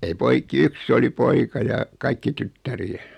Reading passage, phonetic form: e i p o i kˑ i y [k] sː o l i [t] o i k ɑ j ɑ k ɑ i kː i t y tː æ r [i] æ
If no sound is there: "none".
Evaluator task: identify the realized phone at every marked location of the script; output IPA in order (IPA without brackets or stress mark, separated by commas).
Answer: k, p, i